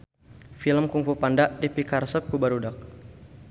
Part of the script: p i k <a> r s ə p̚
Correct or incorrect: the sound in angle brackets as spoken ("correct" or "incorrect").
correct